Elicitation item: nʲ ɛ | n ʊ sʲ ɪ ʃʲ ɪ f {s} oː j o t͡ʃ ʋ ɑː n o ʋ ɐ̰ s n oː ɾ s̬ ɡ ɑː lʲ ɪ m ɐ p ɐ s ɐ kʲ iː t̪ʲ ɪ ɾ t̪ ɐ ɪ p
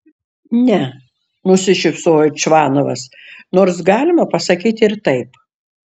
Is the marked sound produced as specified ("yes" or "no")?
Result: yes